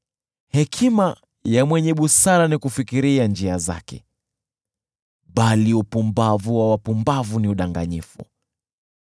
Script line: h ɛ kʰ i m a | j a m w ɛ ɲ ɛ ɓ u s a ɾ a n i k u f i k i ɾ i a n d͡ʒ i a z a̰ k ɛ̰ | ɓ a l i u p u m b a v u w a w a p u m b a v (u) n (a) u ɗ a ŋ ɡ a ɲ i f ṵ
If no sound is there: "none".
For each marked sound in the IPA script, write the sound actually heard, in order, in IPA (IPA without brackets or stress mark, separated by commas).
u, i